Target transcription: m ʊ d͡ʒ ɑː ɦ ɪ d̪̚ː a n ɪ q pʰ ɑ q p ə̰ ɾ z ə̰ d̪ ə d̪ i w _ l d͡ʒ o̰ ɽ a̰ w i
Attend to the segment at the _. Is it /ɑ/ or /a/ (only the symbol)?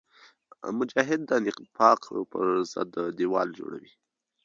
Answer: ɑ